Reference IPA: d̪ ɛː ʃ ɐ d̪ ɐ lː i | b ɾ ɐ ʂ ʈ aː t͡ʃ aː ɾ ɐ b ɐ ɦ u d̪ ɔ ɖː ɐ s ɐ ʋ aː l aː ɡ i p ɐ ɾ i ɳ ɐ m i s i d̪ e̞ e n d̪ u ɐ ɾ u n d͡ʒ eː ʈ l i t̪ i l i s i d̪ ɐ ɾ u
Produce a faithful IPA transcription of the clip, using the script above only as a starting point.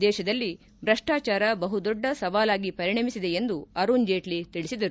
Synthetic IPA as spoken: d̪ ɛː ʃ ɐ d̪ ɐ lː i | b ɾ ɐ ʂ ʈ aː t͡ʃ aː ɾ ɐ b ɐ ɦ u d̪ ɔ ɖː ɐ s ɐ ʋ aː l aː ɡ i p ɐ ɾ i ɳ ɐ m i s i d̪ e̞ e n d̪ u ɐ ɾ u n d͡ʒ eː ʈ l i t̪ i ɭ i s i d̪ ɐ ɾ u

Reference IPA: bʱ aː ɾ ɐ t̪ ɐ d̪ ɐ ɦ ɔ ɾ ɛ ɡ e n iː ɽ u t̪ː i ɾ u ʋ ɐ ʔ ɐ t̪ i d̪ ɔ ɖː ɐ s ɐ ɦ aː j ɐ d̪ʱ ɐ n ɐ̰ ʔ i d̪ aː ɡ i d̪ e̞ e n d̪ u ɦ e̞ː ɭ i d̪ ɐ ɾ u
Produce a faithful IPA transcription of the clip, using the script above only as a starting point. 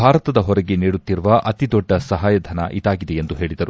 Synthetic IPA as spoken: bʱ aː ɾ ɐ t̪ ɐ d̪ ɐ ɦ ɔ ɾ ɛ ɡ e n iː ɽ u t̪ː i ɾ u ʋ ɐ ʔ ɐ t̪ i d̪ ɔ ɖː ɐ s ɐ ɦ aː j ɐ d̪ʱ ɐ n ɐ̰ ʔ i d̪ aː ɡ i d̪ e̞ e n d̪ u ɦ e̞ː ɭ i d̪ ɐ ɾ u

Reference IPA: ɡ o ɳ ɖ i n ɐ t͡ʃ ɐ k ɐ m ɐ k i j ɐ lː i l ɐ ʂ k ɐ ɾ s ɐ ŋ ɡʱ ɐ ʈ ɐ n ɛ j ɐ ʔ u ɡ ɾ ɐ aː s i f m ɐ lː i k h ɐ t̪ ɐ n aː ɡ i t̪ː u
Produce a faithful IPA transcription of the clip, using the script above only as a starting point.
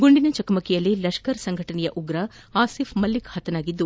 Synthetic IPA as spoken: ɡ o ɳ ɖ i n ɐ t͡ʃ ɐ k ɐ m ɐ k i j ɐ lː i l ɐ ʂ k ɐ ɾ s ɐ ŋ ɡʱ ɐ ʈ ɐ n ɛ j ɐ ʔ u ɡ ɾ ɐ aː s i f m ɐ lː i k h ɐ t̪ ɐ n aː ɡ i d̪ː u

